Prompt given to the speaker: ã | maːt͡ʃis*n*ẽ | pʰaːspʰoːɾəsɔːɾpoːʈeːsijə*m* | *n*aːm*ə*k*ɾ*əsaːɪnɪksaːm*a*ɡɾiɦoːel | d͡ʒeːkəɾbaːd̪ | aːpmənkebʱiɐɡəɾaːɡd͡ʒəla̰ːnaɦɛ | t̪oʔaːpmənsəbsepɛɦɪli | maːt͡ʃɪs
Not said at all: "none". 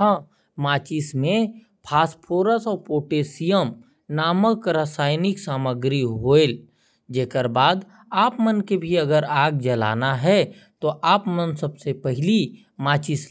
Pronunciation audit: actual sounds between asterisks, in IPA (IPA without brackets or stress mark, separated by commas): m, m, n, ə, ɾ, ə